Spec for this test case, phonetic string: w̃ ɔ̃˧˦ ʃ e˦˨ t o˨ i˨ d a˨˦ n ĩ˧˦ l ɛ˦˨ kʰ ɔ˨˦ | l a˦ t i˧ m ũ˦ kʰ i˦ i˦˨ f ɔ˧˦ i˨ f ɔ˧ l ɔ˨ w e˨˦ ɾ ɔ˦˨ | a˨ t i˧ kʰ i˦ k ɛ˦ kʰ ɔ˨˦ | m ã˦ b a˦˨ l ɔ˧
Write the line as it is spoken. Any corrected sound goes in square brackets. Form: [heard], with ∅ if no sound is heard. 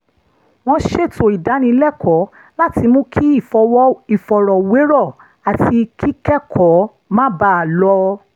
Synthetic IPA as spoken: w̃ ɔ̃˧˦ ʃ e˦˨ t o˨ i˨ d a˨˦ n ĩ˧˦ l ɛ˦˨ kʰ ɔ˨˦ | l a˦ t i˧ m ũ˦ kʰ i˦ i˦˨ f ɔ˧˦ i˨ f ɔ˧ [ɾ] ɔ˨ w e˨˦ ɾ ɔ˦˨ | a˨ t i˧ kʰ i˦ k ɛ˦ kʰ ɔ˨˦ | m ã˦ b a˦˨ l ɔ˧